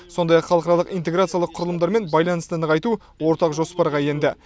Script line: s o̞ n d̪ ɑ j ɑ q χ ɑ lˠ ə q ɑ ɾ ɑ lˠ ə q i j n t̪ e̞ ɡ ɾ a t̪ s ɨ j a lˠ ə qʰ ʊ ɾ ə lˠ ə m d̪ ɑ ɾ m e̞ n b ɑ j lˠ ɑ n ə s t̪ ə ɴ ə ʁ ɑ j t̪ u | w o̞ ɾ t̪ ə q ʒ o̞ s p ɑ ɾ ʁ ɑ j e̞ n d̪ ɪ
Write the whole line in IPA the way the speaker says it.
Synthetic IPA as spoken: s o̞ n d̪ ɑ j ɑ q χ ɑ lˠ ə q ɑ ɾ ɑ lˠ ə q i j n t̪ e̞ ɡ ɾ a t̪ s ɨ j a lˠ ə qʰ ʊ ɾ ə lˠ ə m d̪ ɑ ɾ m e̞ n b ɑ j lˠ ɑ n ə s t̪ ə n ə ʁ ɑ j t̪ u | w o̞ ɾ t̪ ɑ q ʒ o̞ s p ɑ ɾ ʁ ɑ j e̞ n d̪ ɪ